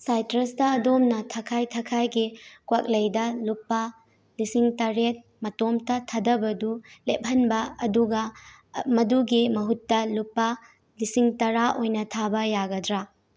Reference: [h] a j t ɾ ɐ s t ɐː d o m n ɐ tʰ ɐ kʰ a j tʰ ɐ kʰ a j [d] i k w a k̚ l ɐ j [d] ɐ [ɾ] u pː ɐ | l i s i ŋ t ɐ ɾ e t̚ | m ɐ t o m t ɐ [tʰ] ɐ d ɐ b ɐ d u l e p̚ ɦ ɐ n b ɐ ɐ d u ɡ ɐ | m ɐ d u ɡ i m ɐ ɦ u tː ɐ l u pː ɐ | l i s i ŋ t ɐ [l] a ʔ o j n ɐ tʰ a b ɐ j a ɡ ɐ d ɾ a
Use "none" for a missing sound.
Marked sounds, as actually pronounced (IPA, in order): s, ɡ, d, l, tʰ, ɾ

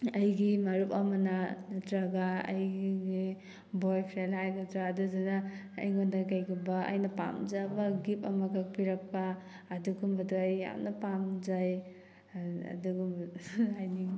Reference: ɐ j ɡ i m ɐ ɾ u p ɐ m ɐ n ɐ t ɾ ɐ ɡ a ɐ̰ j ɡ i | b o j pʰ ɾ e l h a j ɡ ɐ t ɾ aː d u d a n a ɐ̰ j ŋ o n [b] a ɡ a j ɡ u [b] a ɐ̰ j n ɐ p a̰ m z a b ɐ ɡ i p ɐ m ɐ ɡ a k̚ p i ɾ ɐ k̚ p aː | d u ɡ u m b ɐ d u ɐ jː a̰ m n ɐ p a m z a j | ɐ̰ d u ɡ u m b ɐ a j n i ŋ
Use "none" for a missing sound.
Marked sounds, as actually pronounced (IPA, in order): d, b

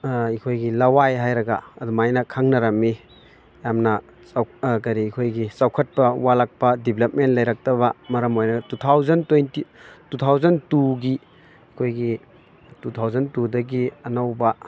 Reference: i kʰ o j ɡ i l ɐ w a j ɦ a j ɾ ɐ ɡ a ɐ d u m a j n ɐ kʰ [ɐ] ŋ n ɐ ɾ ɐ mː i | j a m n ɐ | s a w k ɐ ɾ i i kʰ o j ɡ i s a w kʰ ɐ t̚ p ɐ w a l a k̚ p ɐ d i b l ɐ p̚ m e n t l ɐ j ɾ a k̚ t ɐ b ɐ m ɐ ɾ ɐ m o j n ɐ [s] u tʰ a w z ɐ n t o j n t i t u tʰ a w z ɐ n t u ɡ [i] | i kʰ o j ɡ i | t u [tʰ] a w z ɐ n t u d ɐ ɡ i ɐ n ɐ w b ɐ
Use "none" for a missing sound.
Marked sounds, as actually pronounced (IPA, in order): a, t, i, tʰ

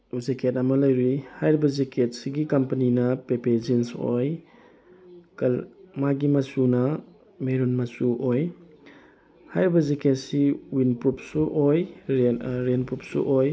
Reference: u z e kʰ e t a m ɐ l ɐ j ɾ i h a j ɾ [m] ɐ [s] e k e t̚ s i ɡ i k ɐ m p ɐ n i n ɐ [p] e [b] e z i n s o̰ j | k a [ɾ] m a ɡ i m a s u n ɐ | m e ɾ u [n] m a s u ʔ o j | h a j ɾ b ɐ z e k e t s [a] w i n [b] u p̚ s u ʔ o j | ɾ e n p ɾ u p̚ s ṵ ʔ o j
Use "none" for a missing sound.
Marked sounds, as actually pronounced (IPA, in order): b, z, p, p, l, n, i, p

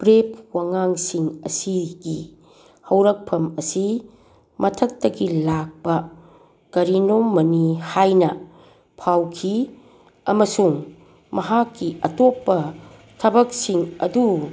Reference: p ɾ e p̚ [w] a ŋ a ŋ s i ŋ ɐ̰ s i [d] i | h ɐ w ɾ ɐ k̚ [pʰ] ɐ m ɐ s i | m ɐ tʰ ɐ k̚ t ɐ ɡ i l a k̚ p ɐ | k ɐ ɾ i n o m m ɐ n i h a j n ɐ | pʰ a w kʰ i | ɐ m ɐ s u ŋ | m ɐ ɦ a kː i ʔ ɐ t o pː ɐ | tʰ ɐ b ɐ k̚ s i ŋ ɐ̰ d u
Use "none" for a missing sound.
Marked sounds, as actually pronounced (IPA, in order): w, ɡ, pʰ

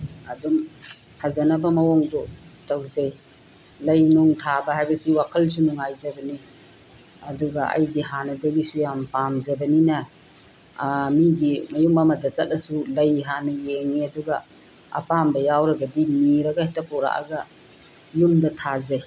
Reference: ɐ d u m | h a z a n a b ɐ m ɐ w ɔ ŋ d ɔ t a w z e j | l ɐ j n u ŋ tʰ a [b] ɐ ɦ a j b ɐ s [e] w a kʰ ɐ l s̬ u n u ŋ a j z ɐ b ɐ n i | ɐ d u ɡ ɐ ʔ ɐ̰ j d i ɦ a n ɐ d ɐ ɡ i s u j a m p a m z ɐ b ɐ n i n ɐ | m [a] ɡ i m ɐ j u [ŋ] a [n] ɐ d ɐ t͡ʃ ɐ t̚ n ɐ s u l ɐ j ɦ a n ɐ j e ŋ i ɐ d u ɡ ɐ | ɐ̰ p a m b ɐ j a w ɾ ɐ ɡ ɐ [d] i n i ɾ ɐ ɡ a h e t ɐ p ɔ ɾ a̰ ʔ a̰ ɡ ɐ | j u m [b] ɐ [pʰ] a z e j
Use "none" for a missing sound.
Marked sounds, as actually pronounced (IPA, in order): b, i, i, m, m, d, d, tʰ

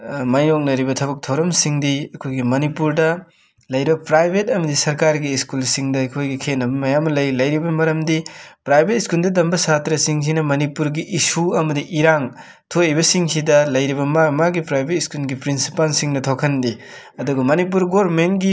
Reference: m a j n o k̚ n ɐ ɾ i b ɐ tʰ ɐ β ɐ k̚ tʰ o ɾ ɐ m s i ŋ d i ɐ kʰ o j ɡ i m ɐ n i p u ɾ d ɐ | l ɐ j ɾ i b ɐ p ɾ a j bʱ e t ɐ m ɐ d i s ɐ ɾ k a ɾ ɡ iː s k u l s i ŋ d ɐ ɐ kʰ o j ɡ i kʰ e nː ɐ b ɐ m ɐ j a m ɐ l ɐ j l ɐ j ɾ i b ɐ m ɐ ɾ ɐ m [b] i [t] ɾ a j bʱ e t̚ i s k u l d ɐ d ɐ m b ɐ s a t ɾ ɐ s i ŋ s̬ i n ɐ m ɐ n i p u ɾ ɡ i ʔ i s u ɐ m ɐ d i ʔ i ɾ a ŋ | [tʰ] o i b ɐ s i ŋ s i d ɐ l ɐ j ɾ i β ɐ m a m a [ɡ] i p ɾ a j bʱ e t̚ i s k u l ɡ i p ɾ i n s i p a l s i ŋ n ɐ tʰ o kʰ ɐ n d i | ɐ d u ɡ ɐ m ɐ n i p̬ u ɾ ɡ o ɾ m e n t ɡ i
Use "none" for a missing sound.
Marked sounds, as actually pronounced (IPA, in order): d, p, tʰ, ɡ

